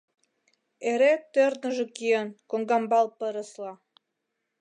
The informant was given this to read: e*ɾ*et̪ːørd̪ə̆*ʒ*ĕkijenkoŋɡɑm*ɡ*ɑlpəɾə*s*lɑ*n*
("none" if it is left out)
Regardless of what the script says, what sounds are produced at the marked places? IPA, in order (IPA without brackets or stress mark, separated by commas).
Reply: ɾ, ʒ, b, s, none